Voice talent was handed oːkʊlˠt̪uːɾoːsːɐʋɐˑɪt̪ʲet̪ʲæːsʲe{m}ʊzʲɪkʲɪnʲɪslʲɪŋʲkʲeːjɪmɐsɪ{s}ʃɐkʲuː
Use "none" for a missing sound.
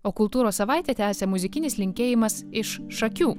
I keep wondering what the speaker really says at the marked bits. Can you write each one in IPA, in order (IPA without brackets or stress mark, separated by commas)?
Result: m, ʃ